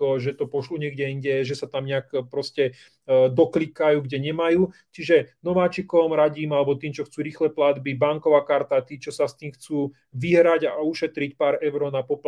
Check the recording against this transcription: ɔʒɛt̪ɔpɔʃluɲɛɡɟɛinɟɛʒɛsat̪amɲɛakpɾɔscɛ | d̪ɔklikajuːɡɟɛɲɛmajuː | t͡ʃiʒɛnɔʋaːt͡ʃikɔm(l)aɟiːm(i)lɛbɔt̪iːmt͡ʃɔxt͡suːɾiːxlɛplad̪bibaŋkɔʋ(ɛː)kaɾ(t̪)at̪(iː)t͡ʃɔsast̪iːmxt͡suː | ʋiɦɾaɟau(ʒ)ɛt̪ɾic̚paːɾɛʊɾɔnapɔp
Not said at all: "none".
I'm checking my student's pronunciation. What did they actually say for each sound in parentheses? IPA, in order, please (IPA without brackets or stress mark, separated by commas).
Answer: ɾ, a, aː, t̪, iː, ʃ